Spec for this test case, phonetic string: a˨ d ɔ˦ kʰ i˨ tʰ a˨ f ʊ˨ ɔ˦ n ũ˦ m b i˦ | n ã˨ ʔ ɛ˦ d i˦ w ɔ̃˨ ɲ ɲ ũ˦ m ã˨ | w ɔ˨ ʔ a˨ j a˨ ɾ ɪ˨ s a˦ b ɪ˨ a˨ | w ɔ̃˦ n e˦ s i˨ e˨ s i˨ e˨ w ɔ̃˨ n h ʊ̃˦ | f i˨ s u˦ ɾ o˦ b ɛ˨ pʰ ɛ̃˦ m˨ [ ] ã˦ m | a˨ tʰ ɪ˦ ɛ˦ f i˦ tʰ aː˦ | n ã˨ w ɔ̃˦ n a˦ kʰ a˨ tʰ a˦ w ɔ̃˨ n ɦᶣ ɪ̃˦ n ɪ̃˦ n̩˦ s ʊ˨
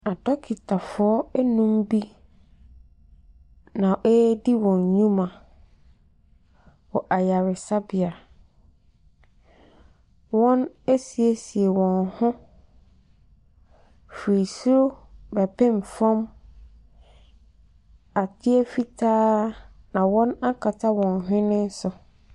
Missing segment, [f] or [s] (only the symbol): f